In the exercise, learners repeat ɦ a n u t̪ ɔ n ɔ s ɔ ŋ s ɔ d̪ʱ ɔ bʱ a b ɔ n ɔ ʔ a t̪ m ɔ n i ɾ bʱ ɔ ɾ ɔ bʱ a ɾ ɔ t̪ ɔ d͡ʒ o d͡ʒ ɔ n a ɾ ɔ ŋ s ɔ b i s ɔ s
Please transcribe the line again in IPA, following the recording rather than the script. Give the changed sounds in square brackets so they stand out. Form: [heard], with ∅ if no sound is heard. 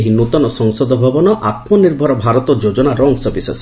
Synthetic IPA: ɦ [i] n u t̪ ɔ n ɔ s ɔ ŋ s ɔ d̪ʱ ɔ bʱ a b ɔ n ɔ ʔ a t̪ m ɔ n i ɾ bʱ ɔ ɾ ɔ bʱ a ɾ ɔ t̪ ɔ d͡ʒ o d͡ʒ ɔ n a ɾ ɔ ŋ s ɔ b i s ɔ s